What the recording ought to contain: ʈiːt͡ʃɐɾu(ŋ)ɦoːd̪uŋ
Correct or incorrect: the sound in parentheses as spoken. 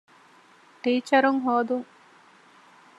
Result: correct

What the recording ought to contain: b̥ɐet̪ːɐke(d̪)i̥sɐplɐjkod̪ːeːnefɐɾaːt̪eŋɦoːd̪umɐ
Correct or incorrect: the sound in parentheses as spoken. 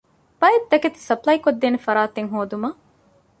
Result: incorrect: t̪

